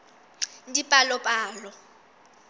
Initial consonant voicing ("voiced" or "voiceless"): voiced